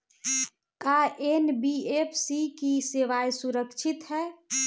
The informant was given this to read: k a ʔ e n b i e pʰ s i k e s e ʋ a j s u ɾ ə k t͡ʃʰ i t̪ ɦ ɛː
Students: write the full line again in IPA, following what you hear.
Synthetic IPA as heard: k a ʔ e n b i e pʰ s i k i s e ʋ a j s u ɾ ə k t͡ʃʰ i t̪ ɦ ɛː